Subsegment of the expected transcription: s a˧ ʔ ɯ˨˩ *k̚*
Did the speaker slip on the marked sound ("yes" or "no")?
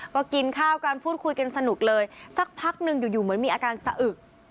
no